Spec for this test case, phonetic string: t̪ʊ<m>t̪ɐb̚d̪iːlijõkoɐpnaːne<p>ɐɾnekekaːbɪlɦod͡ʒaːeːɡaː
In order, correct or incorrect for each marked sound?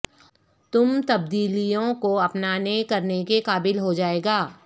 correct, incorrect: k

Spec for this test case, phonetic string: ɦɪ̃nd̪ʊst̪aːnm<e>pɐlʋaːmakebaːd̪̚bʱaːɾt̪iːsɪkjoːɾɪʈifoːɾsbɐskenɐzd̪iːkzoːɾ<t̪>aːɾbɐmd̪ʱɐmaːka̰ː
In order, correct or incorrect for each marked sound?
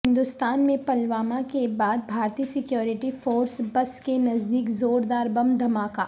incorrect: ẽ, incorrect: d̪

